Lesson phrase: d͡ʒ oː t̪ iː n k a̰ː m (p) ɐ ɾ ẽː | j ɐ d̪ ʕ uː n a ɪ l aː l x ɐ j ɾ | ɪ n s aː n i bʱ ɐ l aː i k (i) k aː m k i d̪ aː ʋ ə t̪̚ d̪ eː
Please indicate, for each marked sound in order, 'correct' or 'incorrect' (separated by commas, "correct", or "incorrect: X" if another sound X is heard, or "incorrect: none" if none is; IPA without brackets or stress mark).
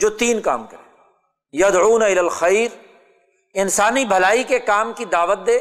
incorrect: k, incorrect: e